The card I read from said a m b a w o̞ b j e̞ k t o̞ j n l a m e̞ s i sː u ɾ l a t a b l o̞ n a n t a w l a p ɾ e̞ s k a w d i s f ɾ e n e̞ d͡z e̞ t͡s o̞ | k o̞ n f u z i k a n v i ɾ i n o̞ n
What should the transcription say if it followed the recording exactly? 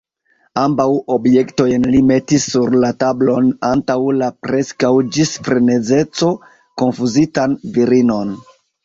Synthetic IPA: a m b a w o̞ b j e̞ k t o̞ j n l i m e̞ t i sː u ɾ l a t a b l o̞ n a n t a w l a p ɾ e̞ s k a w d͡ʒ i s f ɾ e n e̞ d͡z e̞ t͡s o̞ | k o̞ n f u z i t a n v i ɾ i n o̞ n

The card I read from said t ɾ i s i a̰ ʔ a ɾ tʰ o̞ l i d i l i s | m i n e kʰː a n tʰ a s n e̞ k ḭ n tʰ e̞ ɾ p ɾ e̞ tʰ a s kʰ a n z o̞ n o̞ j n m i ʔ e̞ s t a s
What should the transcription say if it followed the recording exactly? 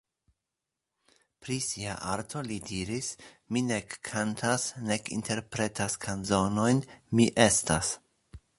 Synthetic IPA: p ɾ i s i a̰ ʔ a ɾ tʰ o̞ l i d i ɾ i s | m i n e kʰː a n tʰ a s n e̞ k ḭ n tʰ e̞ ɾ p ɾ e̞ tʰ a s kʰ a n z o̞ n o̞ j n m i ʔ e̞ s t a s

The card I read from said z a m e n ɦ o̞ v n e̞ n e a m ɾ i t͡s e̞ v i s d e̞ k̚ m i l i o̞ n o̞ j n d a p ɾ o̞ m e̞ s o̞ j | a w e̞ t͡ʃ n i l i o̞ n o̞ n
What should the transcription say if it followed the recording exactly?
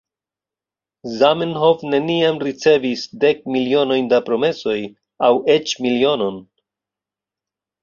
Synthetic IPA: z a m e n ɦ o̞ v n e̞ n i a m ɾ i t͡s e̞ v i s d e̞ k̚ m i l i o̞ n o̞ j n d a p ɾ o̞ m e̞ s o̞ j | a w e̞ t͡ʃ m i l i o̞ n o̞ n

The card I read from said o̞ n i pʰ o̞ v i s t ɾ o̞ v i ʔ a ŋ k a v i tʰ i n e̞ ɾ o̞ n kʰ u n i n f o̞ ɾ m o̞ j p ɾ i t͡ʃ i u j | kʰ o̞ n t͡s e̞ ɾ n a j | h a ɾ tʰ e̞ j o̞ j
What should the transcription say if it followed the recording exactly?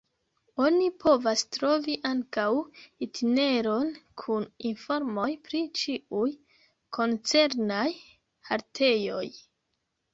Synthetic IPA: o̞ n i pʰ o̞ v a s t ɾ o̞ v i ʔ a ŋ k a w i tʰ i n e̞ ɾ o̞ n kʰ u n i n f o̞ ɾ m o̞ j p ɾ i t͡ʃ i u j | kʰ o̞ n t͡s e̞ ɾ n a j | h a ɾ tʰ e̞ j o̞ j

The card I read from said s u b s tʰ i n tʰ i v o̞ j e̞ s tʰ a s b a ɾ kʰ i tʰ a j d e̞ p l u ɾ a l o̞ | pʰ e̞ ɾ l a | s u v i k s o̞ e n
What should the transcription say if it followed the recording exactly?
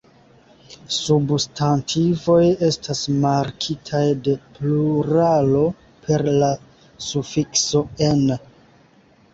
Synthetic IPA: s u b s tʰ a n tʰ i v o̞ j e̞ s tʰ a s m a ɾ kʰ i tʰ a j d e̞ p l u ɾ a l o̞ | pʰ e̞ ɾ l a | s u f i k s o̞ e n

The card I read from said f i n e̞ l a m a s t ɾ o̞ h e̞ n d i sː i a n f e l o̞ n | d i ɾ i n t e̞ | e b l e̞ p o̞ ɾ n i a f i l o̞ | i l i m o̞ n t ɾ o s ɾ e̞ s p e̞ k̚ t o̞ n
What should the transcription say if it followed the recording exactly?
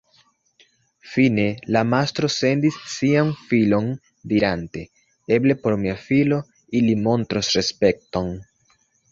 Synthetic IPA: f i n e̞ l a m a s t ɾ o̞ s e̞ n d i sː i a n f i l o̞ n | d i ɾ a n t e̞ | e b l e̞ p o̞ ɾ m i a f i l o̞ | i l i m o̞ n t ɾ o s ɾ e̞ s p e̞ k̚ t o̞ n

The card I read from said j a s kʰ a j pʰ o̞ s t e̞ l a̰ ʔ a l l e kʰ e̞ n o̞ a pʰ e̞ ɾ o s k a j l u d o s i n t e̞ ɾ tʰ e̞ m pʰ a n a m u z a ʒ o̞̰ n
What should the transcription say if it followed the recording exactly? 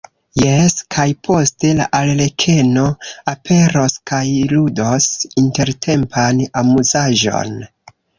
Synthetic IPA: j e s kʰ a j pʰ o̞ s t e̞ l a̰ ʔ a l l e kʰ e̞ n o̞ a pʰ e̞ ɾ o s k a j l u d o s i n t e̞ ɾ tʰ e̞ m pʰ a n a m u z a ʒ o̞̰ n

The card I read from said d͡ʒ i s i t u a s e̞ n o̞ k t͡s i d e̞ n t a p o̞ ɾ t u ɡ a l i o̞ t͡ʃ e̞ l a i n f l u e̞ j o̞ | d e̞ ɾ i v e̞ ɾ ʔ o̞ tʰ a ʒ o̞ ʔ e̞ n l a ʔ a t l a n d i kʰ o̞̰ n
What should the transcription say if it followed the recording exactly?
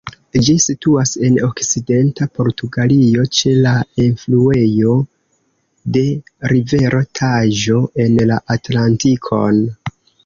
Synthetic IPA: d͡ʒ i s i t u a s e̞ n o̞ k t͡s i d e̞ n t a p o̞ ɾ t u ɡ a l i o̞ t͡ʃ e̞ l a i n f l u e̞ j o̞ | d e̞ ɾ i v e̞ ɾ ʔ o̞ tʰ a ʒ o̞ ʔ e̞ n l a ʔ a t l a n t i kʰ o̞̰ n

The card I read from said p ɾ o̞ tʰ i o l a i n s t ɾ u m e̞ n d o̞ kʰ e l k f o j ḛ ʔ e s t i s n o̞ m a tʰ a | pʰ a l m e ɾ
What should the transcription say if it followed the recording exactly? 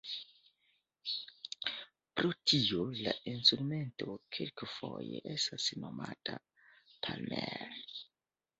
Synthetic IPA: p ɾ o̞ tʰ i o l a i n s t ɾ u m e̞ n t o̞ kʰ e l k f o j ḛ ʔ e s t a s n o̞ m a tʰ a | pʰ a l m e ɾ

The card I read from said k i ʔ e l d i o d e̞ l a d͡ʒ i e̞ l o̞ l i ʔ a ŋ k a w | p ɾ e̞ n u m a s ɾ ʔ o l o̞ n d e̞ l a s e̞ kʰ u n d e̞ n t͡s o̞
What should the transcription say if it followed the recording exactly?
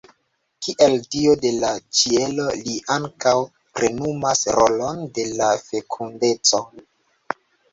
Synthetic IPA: k i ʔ e l d i o d e̞ l a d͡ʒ i e̞ l o̞ l i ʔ a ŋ k a w | p ɾ e̞ n u m a s ɾ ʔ o l o̞ n d e̞ l a f e̞ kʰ u n d e̞ t͡s o̞

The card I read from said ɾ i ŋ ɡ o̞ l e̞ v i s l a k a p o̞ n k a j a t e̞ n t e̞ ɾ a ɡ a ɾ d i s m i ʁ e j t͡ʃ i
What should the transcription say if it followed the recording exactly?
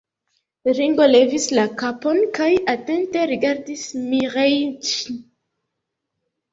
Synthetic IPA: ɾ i ŋ ɡ o̞ l e̞ v i s l a k a p o̞ n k a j a t e̞ n t e̞ ɾ i ɡ a ɾ d i s m i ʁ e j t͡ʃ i

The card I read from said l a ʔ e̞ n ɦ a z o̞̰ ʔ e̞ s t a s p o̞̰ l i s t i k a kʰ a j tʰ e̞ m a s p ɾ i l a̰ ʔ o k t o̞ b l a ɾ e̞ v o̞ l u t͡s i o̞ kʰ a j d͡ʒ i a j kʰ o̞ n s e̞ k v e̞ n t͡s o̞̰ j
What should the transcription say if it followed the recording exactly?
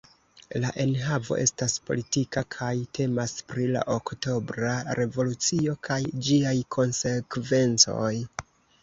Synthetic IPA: l a ʔ e̞ n ɦ a v o̞̰ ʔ e̞ s t a s p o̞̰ l i t i k a kʰ a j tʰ e̞ m a s p ɾ i l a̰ ʔ o k t o̞ b ɾ a ɾ e̞ v o̞ l u t͡s i o̞ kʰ a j d͡ʒ i a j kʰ o̞ n s e̞ k v e̞ n t͡s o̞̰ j

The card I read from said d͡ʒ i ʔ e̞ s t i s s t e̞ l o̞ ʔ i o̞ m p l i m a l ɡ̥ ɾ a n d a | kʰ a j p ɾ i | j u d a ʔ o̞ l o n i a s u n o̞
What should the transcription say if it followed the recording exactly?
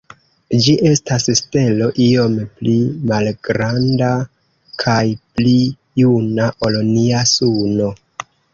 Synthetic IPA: d͡ʒ i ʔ e̞ s t a s s t e̞ l o̞ ʔ i o̞ m p l i m a l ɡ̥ ɾ a n d a | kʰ a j p l i | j u n a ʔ o̞ l o n i a s u n o̞

